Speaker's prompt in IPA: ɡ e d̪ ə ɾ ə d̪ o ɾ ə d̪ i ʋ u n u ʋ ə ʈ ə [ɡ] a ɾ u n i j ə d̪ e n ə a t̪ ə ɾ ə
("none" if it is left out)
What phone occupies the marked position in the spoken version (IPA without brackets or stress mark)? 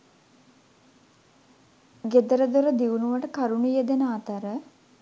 k